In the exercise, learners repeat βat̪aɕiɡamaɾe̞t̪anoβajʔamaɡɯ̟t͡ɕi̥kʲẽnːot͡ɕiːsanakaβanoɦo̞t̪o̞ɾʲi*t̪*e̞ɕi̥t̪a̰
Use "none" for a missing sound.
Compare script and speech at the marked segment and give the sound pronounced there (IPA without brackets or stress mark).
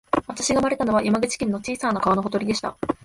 d̪